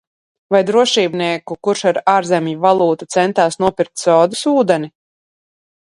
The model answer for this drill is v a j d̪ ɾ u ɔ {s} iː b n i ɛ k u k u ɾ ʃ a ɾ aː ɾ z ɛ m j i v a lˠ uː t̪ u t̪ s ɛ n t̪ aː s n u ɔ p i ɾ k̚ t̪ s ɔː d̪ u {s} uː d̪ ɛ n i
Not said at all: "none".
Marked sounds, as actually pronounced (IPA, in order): ʃ, s

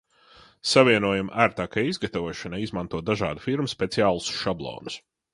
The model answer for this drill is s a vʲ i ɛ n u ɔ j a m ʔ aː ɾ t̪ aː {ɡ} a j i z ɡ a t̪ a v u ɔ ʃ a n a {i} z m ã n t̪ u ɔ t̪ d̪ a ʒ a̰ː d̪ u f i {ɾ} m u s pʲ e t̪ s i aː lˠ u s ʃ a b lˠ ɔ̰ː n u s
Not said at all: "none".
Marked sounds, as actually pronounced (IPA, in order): k, i, ɾ

